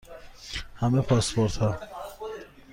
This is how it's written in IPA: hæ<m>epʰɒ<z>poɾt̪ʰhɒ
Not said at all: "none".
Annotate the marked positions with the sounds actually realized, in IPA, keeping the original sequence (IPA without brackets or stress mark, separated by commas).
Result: m, s